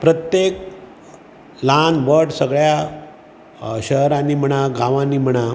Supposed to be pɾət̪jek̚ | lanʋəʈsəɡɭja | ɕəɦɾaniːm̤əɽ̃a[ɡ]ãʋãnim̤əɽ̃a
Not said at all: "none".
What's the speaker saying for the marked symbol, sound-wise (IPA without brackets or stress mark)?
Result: ɡ